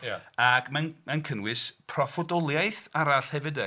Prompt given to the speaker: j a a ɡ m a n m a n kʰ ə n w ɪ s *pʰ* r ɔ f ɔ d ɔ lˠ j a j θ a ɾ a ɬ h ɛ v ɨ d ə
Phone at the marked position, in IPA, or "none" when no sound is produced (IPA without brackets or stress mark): pʰ